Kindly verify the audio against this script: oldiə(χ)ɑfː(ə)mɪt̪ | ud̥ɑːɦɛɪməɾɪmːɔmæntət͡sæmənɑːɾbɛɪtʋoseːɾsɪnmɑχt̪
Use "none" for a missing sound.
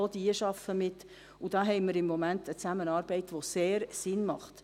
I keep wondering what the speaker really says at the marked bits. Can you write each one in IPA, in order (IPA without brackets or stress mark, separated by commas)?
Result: ʃ, ə